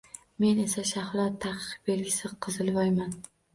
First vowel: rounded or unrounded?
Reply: unrounded